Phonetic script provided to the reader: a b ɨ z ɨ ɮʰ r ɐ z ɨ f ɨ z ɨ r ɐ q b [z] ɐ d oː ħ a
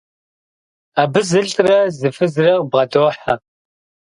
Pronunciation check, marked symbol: incorrect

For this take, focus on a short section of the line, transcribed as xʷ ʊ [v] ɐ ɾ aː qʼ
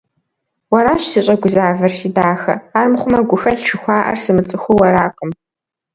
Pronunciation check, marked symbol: incorrect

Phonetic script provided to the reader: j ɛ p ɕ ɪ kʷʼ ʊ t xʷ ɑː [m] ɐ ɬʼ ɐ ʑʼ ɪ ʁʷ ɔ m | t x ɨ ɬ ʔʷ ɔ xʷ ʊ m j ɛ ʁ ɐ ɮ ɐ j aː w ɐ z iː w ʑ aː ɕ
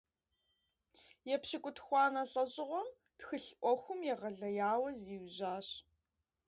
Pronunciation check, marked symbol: incorrect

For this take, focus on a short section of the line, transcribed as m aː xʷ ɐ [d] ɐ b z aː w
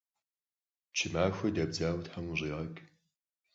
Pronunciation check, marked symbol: correct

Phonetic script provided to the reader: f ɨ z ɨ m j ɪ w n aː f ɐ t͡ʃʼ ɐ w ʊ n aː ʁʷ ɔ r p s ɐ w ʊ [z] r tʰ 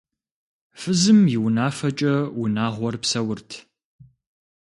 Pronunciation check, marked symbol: incorrect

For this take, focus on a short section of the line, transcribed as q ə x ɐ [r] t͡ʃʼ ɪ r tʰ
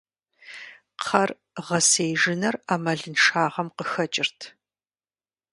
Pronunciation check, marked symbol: incorrect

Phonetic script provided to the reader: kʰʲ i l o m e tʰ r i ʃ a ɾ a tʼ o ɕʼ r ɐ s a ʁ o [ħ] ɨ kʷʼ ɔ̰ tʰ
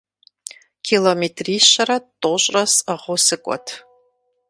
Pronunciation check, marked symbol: incorrect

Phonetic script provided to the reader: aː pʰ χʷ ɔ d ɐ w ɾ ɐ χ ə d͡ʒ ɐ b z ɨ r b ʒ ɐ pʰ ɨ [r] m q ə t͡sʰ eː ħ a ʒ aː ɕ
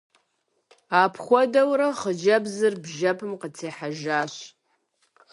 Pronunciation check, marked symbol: incorrect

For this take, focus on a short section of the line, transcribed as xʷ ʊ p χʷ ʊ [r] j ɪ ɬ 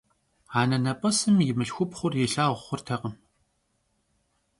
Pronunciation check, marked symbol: correct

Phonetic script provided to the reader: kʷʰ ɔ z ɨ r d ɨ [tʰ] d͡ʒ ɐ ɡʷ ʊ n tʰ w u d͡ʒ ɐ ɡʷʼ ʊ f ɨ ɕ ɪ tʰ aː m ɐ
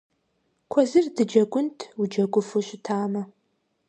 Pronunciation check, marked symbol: incorrect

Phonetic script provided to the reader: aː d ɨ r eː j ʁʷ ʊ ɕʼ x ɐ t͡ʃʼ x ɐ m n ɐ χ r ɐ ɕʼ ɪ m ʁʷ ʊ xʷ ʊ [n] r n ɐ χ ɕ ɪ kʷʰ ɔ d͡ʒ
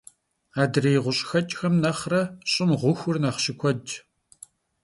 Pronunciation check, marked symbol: incorrect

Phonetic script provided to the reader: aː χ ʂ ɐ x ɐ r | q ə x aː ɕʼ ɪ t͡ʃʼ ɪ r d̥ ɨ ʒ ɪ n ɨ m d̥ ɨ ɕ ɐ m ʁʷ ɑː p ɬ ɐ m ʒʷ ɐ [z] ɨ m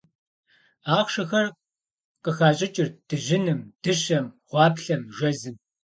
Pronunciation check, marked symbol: correct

